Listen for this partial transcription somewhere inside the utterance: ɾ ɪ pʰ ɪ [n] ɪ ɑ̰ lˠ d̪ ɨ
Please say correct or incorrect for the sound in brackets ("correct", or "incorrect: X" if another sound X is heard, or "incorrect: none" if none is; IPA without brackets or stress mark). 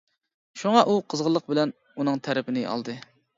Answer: correct